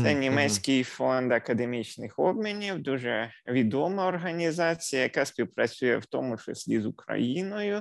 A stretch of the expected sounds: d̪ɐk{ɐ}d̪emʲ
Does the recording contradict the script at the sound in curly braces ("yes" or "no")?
no